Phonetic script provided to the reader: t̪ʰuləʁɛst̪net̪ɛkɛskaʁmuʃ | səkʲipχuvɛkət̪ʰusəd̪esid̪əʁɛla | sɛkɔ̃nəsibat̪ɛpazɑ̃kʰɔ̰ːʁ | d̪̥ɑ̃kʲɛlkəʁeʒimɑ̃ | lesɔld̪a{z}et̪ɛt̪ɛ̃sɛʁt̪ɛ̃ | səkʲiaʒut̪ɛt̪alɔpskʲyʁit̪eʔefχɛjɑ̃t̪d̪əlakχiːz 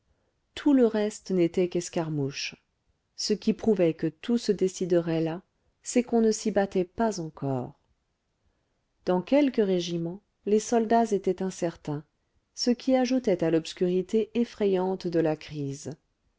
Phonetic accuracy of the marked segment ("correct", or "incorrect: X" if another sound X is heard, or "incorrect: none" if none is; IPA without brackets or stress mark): correct